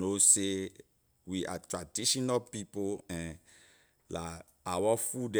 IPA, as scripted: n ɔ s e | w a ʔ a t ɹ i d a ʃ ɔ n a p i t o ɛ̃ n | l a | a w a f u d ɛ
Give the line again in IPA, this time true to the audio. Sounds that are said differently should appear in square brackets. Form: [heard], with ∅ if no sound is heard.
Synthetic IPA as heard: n [o] s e | w [i] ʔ a t ɹ [a] d [i] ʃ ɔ n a p i [p] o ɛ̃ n | l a | a w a f u d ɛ

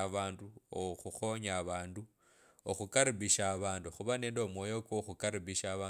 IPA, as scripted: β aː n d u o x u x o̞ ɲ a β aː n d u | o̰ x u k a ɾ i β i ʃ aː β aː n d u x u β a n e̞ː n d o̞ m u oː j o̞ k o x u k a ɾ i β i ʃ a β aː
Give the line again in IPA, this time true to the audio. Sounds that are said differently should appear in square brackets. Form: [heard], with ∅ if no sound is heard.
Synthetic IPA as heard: β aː n d u o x u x o̞ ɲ a β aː n d u | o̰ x u k a ɾ i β i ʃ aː β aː n d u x u β a n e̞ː n d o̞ m [w] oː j o̞ k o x u k a ɾ i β i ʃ a β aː

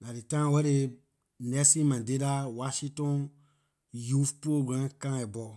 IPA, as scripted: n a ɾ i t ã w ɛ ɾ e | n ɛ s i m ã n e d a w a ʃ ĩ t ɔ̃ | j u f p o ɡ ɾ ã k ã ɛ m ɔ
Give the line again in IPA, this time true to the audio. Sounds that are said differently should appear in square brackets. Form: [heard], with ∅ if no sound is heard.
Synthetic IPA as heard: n a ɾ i t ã w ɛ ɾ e | n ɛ s i m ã [d] e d a w a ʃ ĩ t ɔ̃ | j u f p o ɡ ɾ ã k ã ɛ [b] ɔ

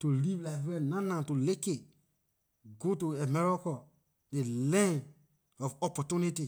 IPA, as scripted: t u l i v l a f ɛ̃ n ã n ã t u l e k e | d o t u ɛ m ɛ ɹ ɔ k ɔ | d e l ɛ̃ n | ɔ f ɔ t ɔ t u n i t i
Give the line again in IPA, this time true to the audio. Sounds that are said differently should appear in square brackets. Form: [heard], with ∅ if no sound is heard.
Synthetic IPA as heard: t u l i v l a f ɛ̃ n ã n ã t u l e k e | [ɡ] o t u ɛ m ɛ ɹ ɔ k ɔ | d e l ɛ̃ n | ɔ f ɔ [p] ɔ t u n i t i

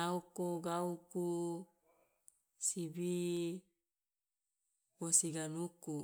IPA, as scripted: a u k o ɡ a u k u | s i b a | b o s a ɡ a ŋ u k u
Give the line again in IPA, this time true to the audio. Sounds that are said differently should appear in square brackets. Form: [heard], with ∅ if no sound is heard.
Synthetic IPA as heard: a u k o ɡ a u k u | s i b [i] | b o s [i] ɡ a [n] u k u

